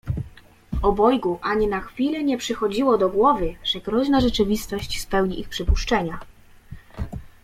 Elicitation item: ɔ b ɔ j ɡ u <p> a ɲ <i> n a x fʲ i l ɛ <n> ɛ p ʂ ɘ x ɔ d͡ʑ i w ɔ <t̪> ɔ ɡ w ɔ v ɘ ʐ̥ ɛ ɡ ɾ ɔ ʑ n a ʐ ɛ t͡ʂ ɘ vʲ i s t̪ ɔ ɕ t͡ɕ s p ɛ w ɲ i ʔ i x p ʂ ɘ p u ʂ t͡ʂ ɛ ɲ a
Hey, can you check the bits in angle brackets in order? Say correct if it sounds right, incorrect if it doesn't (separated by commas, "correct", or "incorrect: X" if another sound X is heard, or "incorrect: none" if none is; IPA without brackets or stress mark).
incorrect: ʔ, correct, incorrect: ɲ, incorrect: d̪